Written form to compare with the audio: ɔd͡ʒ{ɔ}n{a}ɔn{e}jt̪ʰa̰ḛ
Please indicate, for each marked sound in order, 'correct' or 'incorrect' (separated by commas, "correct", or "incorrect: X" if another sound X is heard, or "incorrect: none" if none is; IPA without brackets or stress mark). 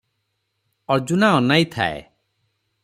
incorrect: u, correct, incorrect: a